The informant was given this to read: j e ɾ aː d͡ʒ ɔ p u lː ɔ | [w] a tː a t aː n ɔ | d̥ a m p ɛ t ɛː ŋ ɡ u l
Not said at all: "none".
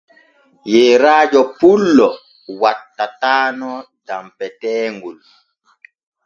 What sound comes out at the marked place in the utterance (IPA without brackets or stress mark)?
w